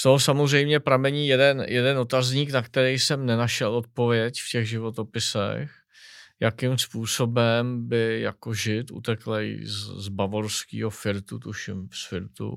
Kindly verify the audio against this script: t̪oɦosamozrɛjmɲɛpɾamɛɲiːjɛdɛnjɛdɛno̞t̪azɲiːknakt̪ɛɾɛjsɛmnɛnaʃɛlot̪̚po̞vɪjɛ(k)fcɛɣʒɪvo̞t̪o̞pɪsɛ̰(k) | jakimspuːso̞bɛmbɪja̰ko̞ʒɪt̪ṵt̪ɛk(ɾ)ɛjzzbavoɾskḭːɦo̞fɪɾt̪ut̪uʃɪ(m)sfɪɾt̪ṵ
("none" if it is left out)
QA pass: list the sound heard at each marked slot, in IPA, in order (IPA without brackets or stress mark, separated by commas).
c, x, l, m